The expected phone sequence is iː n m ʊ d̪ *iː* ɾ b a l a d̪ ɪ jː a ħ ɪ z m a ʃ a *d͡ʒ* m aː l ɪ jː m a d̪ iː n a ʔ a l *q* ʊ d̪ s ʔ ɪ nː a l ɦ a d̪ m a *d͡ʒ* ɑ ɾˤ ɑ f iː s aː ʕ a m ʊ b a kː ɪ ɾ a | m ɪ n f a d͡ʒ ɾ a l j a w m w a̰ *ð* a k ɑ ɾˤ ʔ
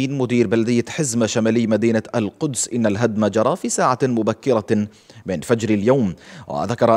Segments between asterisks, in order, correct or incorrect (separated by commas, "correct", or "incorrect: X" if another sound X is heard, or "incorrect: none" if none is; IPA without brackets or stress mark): correct, incorrect: none, correct, correct, correct